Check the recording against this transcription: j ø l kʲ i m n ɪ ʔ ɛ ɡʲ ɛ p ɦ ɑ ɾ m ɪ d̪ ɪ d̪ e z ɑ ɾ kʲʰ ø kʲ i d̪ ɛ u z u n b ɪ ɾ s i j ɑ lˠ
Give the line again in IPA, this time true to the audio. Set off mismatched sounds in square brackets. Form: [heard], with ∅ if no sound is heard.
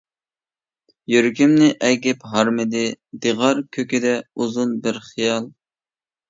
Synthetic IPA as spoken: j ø [ɾ] kʲ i m n ɪ ʔ ɛ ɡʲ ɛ p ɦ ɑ ɾ m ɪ d̪ ɪ d̪ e [ʁ] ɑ ɾ kʲʰ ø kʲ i d̪ ɛ u z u n b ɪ ɾ [χ] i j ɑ lˠ